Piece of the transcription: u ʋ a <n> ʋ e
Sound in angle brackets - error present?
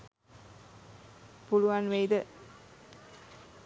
no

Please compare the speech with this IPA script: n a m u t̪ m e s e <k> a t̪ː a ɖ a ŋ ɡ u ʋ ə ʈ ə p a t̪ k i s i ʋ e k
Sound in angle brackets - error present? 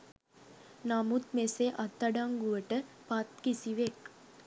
yes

